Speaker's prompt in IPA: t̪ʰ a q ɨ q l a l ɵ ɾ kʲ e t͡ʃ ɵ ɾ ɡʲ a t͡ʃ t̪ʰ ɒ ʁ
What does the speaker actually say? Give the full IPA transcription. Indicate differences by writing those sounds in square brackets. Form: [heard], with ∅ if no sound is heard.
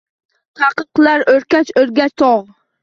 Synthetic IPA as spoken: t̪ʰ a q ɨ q l a [ɾ] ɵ ɾ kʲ [a] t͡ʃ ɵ ɾ ɡʲ a t͡ʃ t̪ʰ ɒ ʁ